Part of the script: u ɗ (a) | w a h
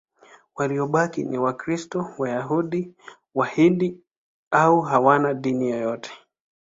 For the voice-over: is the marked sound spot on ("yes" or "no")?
no